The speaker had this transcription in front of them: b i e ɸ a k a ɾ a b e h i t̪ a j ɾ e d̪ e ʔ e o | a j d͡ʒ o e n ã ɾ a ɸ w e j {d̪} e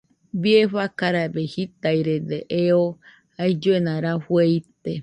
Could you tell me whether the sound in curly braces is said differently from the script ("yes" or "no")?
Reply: yes